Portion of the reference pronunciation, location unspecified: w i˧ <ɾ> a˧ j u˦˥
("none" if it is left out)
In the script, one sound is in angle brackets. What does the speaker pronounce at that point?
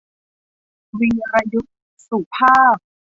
ɾ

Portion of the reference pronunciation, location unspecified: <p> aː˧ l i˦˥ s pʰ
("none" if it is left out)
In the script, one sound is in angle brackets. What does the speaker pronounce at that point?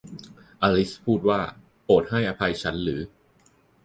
ʔ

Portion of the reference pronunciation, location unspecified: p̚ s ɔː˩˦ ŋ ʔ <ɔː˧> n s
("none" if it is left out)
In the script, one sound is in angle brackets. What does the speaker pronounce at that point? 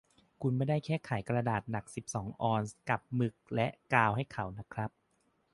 ɔː˧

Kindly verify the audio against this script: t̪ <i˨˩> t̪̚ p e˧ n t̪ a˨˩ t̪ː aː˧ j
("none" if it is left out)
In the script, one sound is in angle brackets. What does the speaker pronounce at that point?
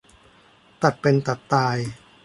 a˨˩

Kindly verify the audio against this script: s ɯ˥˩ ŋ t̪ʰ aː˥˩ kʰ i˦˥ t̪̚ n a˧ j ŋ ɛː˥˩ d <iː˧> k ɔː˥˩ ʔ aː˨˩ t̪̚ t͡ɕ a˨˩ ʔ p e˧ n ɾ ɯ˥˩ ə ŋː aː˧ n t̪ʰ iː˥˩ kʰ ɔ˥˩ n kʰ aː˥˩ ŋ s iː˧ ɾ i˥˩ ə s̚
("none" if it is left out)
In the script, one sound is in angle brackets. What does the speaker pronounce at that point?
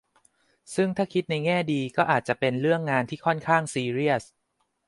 iː˧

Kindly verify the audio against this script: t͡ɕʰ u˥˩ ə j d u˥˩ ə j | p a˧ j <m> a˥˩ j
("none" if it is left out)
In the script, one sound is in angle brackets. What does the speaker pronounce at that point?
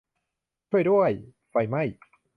m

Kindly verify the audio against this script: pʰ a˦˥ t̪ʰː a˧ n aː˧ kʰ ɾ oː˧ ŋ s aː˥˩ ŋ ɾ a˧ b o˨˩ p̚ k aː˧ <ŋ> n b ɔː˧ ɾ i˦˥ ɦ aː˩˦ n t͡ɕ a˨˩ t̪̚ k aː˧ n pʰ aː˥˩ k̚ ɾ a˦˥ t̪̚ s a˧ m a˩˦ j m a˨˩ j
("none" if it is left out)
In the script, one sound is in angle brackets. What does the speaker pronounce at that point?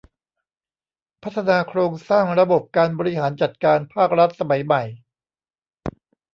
none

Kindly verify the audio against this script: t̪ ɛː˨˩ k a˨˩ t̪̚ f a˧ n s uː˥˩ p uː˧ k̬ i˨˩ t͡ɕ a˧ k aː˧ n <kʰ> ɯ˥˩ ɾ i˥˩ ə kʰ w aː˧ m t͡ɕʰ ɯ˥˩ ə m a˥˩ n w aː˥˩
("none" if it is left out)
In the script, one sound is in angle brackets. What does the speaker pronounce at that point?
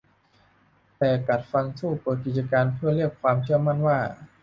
pʰ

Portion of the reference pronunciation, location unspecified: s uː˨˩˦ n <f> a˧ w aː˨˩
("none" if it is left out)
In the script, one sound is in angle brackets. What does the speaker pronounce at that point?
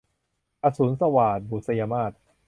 s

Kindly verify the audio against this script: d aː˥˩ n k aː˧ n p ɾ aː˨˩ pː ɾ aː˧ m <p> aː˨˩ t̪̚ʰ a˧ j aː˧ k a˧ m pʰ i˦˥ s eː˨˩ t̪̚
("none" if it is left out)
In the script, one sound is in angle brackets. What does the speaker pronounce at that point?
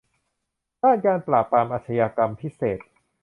ʔ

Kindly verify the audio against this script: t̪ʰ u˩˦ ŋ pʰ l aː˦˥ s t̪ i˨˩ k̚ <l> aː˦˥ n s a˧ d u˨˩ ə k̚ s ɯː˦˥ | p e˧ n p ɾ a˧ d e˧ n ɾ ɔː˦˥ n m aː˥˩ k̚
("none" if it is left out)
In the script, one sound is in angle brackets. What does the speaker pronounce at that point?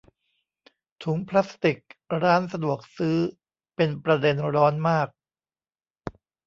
ɾ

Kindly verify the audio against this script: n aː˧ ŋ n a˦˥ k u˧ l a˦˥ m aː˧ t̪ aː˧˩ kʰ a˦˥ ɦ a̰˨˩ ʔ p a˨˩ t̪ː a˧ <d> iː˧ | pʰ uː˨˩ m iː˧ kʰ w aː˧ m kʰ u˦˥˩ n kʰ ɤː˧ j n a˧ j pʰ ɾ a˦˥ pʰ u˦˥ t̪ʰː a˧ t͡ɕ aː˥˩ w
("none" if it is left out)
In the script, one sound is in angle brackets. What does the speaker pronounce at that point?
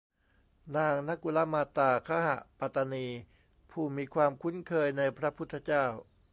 n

